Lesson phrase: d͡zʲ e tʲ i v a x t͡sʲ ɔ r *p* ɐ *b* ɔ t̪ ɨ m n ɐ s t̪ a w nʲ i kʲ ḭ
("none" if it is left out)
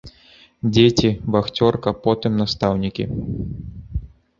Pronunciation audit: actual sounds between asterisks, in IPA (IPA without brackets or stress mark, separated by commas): k, p